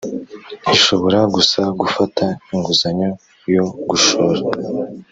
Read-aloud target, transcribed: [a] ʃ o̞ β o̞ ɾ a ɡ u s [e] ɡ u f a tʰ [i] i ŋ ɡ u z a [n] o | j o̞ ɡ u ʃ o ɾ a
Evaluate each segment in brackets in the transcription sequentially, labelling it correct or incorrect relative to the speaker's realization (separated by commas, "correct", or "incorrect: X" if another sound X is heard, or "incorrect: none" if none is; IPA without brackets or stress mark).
incorrect: i, incorrect: a, incorrect: a, incorrect: ɲ